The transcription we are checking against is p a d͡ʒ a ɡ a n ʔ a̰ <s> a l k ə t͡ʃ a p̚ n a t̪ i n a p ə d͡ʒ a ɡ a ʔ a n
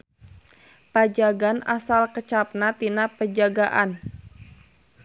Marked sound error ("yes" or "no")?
no